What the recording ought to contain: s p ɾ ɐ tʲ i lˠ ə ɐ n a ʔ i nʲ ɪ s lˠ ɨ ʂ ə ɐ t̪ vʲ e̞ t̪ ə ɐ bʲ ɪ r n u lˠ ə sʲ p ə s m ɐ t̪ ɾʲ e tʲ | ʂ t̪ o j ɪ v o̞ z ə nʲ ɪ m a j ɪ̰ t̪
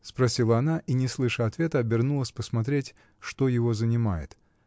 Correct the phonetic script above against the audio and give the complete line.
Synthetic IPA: s p ɾ ɐ sʲ i lˠ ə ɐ n a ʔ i nʲ ɪ s lˠ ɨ ʂ ə ɐ t̪ vʲ e̞ t̪ ə ɐ bʲ ɪ r n u lˠ ə sʲ p ə s m ɐ t̪ ɾʲ e tʲ | ʂ t̪ o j ɪ v o̞ z ə nʲ ɪ m a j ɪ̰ t̪